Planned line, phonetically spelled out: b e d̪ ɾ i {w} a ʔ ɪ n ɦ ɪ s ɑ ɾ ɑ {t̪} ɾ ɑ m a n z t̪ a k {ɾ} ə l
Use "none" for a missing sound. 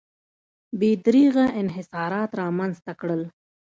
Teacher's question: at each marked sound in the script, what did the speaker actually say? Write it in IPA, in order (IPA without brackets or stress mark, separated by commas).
ɣ, t̪, ɽ